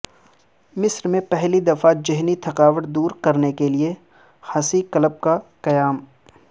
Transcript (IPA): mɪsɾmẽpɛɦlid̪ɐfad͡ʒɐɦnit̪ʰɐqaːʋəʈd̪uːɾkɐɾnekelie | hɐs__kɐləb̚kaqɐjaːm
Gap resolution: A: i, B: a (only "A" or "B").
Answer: A